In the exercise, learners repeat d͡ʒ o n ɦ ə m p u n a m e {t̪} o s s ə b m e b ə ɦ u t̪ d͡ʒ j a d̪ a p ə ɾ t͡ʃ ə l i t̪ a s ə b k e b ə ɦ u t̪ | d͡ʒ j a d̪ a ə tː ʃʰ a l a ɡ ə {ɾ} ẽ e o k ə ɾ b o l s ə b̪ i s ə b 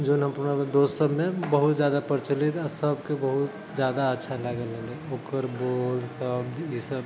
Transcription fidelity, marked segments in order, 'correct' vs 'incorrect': incorrect: d̪, incorrect: l

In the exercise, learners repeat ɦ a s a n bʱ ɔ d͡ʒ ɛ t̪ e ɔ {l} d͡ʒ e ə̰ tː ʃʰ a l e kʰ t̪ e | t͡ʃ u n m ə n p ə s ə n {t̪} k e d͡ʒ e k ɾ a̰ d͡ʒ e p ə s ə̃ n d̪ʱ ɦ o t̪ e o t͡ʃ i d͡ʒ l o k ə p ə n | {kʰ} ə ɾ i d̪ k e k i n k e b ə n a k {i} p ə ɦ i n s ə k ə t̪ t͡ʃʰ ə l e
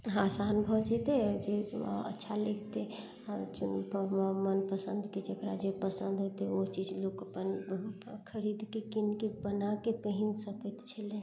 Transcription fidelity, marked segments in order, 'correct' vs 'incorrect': incorrect: ɾ, incorrect: d̪, correct, incorrect: e

